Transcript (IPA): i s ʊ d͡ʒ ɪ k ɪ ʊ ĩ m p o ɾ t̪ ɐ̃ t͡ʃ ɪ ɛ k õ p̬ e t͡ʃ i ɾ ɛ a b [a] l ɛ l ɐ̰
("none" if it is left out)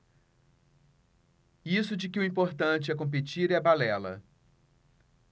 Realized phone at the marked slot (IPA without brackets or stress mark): a